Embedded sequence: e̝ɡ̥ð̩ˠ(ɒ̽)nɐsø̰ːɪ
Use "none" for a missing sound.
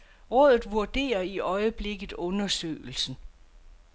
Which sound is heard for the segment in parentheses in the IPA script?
ɔ̽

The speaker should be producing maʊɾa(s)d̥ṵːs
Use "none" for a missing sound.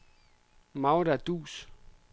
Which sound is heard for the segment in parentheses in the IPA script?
none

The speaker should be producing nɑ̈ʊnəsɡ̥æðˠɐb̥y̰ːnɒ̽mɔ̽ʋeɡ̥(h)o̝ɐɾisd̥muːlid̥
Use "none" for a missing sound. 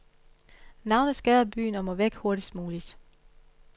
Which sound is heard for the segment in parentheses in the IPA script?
h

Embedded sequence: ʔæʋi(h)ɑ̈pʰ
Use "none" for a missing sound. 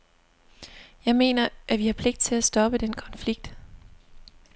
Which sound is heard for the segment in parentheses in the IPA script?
h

